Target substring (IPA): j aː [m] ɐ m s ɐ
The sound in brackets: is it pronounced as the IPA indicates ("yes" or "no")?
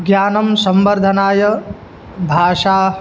no